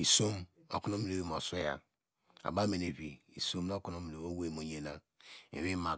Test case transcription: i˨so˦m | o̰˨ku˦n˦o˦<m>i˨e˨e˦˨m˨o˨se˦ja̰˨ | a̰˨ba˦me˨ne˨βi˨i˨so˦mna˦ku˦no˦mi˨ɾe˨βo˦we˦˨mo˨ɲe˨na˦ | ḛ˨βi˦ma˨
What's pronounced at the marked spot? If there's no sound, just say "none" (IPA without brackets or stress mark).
m